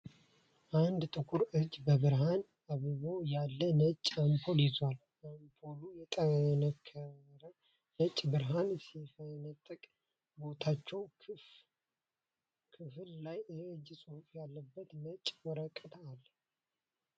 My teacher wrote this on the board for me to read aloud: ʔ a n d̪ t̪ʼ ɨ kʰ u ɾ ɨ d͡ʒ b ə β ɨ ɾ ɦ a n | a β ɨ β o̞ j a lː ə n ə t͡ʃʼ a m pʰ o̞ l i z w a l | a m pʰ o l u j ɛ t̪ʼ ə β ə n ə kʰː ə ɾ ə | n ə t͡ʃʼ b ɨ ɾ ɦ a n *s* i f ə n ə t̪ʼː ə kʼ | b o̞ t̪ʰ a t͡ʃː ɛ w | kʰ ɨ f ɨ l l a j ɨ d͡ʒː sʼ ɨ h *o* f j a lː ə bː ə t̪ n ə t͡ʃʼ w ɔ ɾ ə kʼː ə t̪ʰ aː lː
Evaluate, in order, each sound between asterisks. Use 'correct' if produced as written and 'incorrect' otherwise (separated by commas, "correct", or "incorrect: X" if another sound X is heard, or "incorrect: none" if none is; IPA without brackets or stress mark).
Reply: correct, incorrect: u